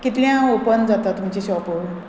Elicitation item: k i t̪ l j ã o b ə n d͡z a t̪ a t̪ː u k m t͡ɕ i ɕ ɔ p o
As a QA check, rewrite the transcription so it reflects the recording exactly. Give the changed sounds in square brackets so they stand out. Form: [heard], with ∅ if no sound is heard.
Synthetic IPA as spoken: k i t̪ l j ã o [p] ə n d͡z a t̪ a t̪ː u [∅] m t͡ɕ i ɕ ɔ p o